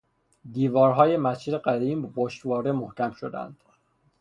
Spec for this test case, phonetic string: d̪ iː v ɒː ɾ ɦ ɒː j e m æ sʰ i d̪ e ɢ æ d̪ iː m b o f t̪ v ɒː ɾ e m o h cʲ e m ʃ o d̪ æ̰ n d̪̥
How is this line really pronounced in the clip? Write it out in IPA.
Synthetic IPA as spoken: d̪ iː v ɒː ɾ ɦ ɒː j e m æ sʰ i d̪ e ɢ æ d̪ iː m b o ʃ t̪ v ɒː ɾ e m o h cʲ æ m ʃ o d̪ æ̰ n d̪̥